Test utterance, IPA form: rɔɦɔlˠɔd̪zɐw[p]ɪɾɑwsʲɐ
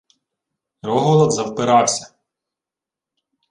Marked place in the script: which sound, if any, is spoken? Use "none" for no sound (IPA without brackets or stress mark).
p